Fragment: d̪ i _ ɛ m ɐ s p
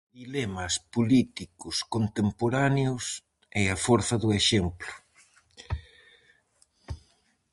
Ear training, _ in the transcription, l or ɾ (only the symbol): l